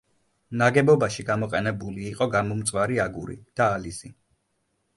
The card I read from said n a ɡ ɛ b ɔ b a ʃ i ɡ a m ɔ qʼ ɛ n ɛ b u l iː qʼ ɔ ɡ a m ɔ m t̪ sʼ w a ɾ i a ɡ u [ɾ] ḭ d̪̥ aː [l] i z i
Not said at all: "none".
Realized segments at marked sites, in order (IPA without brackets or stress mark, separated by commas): ɾ, l